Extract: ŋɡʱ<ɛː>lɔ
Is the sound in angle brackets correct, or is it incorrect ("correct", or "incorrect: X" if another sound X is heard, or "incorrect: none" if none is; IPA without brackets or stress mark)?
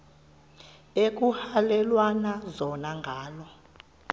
incorrect: aː